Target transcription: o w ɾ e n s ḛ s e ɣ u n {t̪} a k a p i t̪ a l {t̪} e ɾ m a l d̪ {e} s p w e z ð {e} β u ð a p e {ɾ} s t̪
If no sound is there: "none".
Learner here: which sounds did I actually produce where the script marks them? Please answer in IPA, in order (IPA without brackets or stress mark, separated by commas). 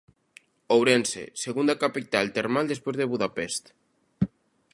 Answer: d̪, t̪, e, e, none